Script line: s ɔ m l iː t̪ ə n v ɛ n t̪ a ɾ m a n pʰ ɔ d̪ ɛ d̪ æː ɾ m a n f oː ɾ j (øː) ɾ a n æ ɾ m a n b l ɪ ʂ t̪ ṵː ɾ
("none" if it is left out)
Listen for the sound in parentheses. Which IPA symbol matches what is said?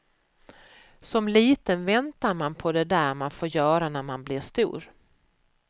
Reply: œː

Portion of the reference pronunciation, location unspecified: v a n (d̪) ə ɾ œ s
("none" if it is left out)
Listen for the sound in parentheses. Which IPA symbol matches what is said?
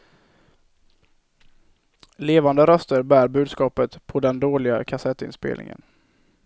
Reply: d̪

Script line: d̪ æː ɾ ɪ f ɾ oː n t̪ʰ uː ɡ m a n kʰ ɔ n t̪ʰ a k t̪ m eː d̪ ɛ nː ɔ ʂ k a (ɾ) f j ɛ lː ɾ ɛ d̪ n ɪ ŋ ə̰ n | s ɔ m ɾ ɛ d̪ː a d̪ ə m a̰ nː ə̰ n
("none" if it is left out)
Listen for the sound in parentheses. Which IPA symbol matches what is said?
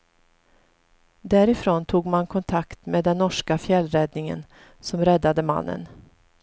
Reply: none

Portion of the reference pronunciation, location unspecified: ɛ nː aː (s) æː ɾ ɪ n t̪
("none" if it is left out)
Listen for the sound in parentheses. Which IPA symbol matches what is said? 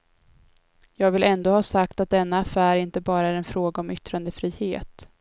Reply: f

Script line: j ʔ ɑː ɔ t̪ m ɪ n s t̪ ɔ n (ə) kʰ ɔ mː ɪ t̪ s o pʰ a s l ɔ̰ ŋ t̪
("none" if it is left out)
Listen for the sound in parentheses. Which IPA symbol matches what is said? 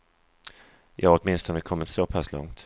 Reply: ə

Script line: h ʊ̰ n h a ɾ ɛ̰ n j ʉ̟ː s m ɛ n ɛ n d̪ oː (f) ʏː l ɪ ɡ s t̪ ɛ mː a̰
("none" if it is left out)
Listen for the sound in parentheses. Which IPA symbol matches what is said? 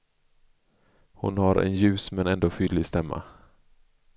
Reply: f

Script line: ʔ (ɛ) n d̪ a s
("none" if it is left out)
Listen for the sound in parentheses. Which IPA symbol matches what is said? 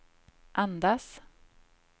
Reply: a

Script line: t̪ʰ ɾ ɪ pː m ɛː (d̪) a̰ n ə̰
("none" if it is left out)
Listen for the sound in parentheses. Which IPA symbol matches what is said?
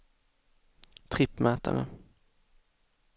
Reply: t̪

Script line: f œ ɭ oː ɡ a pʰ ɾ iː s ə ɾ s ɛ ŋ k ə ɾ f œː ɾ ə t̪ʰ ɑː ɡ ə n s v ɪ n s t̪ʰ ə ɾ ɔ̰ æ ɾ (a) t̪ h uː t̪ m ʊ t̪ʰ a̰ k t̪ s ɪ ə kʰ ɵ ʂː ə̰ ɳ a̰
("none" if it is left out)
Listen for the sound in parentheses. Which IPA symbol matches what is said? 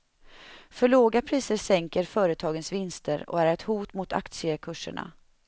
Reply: ɛ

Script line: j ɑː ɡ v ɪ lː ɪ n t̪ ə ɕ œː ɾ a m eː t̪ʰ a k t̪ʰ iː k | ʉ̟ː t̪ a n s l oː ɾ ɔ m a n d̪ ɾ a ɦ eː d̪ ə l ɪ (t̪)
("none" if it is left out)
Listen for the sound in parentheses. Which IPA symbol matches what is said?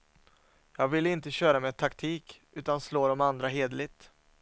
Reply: t̪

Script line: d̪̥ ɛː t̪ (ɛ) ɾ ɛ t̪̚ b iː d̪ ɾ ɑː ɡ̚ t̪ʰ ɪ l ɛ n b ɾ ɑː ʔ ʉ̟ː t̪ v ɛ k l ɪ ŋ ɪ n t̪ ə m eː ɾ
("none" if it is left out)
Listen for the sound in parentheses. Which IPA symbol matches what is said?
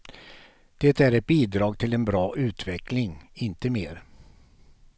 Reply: æ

